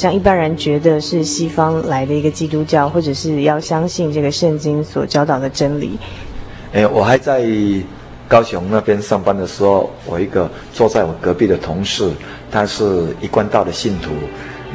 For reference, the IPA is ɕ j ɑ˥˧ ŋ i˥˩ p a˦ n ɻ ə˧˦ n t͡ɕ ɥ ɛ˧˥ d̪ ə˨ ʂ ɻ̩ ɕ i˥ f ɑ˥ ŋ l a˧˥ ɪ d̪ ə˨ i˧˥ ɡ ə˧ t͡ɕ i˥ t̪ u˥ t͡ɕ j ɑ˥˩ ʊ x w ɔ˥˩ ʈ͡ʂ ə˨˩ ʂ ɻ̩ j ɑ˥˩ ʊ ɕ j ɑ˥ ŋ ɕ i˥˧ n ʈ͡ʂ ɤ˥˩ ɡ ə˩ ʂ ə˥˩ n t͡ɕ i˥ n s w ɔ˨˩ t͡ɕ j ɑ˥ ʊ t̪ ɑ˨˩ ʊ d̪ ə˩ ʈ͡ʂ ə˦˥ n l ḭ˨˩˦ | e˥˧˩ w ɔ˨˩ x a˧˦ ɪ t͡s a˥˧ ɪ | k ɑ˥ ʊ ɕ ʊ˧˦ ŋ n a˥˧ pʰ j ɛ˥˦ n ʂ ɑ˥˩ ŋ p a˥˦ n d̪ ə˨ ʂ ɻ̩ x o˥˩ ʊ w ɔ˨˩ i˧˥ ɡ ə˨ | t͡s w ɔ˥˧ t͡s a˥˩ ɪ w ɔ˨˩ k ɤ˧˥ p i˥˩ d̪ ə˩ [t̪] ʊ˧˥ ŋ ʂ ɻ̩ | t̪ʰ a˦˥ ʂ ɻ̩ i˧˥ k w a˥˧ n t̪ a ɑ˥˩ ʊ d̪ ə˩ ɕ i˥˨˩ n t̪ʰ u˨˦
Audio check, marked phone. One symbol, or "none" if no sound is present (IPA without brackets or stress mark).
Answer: t̪ʰ